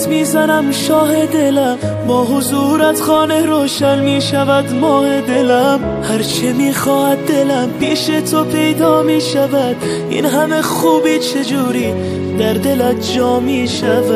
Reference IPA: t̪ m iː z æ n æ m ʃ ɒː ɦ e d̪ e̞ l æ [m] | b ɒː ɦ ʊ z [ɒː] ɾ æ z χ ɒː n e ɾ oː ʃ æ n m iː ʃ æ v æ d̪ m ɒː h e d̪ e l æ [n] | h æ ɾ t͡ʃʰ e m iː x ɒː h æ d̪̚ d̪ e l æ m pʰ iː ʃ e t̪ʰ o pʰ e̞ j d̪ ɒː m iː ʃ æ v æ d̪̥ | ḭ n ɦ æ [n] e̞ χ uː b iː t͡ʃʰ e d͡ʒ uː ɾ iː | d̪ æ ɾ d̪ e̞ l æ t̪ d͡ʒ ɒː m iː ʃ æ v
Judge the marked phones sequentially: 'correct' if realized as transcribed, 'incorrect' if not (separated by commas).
correct, incorrect, incorrect, incorrect